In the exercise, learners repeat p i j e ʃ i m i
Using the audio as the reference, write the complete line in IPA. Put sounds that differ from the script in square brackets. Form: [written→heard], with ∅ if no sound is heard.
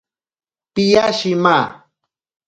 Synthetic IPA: p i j [e→a] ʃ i m [i→a]